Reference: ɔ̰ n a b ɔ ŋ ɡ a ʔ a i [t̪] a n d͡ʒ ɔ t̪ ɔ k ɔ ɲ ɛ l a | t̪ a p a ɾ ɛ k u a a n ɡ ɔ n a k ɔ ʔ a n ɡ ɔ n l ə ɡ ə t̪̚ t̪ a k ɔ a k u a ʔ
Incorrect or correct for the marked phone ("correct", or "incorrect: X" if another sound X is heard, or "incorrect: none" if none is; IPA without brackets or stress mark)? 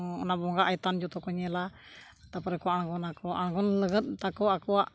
correct